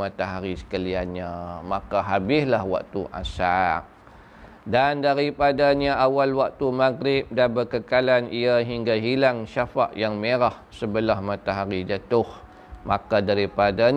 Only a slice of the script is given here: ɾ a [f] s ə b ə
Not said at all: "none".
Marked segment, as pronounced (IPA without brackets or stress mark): h